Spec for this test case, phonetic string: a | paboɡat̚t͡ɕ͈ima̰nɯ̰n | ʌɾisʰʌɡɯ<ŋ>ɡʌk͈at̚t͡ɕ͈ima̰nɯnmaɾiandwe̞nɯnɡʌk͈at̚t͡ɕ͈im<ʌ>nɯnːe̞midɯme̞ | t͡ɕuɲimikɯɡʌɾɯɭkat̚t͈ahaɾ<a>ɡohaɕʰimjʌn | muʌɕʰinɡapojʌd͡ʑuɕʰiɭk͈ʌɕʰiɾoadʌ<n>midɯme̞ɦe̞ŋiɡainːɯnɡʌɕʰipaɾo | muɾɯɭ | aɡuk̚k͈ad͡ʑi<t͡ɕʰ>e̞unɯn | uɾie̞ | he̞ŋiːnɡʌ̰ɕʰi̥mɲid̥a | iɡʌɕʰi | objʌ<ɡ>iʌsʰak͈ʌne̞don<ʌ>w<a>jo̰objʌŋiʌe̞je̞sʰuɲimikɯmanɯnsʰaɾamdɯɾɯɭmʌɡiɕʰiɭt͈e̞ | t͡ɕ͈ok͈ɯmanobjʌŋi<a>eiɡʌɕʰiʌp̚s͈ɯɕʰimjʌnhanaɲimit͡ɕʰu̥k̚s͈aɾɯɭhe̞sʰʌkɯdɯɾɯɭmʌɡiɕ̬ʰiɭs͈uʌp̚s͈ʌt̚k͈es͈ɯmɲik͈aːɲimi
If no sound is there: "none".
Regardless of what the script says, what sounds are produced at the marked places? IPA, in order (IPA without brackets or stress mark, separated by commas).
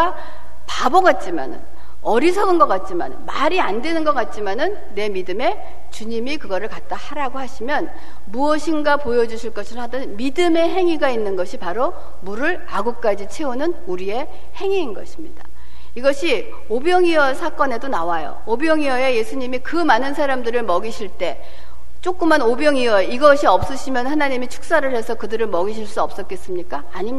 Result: n, a, a, n, t͡ɕʰ, ŋ, a, a, ʌ